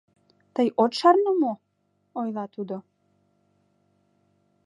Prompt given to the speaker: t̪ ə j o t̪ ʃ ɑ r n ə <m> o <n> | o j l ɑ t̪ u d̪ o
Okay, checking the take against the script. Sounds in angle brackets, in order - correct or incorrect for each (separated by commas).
correct, incorrect